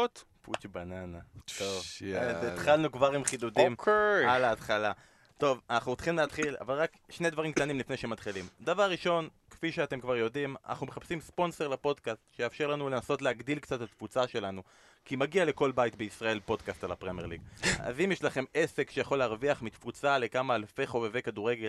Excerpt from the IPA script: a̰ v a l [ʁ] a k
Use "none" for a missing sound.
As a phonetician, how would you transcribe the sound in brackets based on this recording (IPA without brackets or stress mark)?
ʁ